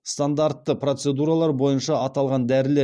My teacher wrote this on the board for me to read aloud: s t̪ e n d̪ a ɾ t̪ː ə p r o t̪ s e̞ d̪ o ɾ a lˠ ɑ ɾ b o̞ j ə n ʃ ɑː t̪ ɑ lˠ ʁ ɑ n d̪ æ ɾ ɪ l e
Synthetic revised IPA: s t̪ a n d̪ a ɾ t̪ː ə p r o t̪ s e̞ d̪ u ɾ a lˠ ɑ ɾ b o̞ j ə n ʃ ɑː t̪ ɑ lˠ ʁ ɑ n d̪ æ ɾ ɪ l e